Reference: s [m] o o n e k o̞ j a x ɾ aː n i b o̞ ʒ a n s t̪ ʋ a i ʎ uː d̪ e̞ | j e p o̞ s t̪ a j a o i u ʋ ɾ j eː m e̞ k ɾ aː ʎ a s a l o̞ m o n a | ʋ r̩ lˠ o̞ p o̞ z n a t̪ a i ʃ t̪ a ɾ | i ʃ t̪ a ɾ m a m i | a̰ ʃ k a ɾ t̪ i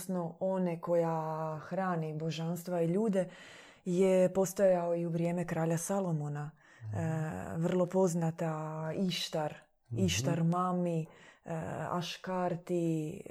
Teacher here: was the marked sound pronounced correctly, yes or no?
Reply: no